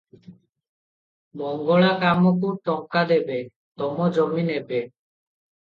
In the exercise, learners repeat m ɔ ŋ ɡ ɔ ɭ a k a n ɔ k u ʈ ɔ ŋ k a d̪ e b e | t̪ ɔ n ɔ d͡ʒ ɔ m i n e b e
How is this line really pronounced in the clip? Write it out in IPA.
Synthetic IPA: m ɔ ŋ ɡ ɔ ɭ a k a m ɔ k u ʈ ɔ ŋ k a d̪ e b e | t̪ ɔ m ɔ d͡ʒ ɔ m i n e b e